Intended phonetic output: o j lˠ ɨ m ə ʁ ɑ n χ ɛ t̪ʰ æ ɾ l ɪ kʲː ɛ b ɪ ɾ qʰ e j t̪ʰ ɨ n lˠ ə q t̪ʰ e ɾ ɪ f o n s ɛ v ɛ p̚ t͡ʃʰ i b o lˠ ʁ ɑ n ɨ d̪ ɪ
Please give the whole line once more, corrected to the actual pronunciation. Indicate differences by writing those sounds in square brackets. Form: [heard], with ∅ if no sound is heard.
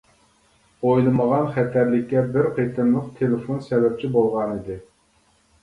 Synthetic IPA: o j lˠ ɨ m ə ʁ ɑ n χ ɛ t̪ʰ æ ɾ l ɪ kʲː ɛ b ɪ ɾ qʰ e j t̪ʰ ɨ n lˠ ə q t̪ʰ e [l] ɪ f o n s ɛ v ɛ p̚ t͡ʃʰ i b o lˠ ʁ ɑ n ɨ d̪ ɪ